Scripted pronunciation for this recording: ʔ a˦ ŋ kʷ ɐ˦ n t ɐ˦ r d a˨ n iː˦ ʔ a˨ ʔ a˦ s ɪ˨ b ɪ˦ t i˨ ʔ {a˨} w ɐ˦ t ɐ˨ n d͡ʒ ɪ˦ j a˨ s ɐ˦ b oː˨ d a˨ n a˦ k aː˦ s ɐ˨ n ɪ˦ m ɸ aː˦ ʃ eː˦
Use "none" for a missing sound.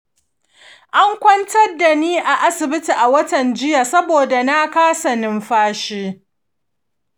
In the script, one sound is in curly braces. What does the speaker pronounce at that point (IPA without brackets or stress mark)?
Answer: a˨